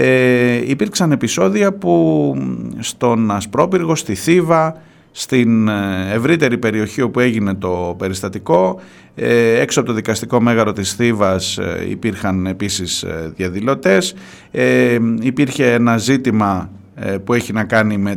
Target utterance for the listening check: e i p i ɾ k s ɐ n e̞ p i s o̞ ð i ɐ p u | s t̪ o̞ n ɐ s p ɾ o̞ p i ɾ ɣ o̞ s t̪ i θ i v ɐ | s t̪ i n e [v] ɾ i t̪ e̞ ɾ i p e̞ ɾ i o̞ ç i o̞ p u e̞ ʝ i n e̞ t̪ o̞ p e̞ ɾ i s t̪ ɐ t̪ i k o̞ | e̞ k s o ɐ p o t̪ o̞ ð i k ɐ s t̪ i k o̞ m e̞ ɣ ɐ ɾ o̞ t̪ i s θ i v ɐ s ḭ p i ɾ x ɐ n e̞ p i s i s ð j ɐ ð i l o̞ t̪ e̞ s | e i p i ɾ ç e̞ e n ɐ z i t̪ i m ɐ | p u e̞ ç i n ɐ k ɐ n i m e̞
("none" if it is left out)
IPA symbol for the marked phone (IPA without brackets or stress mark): v